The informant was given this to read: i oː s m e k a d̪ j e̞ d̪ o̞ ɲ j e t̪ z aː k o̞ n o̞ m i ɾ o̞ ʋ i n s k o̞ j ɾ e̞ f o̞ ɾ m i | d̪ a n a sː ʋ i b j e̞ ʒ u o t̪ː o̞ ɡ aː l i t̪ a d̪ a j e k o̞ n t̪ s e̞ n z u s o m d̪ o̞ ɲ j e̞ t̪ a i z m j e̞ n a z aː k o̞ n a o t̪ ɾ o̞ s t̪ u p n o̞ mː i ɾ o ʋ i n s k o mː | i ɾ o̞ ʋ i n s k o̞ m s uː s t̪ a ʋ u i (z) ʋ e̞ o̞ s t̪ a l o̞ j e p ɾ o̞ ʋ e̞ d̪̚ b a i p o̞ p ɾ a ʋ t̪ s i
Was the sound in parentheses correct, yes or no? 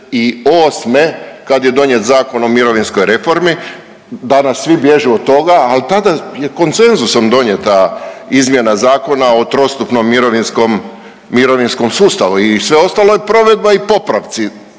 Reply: no